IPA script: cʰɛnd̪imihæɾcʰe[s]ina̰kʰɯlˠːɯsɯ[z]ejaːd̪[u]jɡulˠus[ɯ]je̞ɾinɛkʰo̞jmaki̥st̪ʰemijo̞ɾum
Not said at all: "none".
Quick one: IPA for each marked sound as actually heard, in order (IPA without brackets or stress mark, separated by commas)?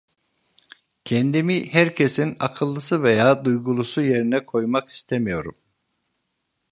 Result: s, v, u, u